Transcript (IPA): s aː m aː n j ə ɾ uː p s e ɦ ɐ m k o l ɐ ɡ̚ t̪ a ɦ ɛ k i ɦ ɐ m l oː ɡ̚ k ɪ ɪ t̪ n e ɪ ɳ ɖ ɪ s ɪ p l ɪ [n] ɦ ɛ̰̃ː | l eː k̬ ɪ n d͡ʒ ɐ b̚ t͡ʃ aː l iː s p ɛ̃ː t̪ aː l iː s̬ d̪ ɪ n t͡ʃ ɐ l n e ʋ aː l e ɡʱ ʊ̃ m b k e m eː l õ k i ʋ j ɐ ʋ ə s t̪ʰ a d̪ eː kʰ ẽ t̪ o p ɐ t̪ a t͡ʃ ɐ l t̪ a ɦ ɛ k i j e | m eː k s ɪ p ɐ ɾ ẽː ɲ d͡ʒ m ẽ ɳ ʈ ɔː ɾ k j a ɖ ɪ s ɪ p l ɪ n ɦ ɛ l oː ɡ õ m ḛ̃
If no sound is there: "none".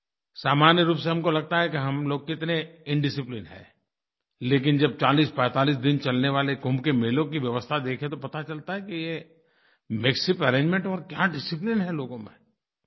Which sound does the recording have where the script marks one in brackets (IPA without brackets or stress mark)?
n